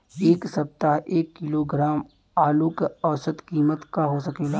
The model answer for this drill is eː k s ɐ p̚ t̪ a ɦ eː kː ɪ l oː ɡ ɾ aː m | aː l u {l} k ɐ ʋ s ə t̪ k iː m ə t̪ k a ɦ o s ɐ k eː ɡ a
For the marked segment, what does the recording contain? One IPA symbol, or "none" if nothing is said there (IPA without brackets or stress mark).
none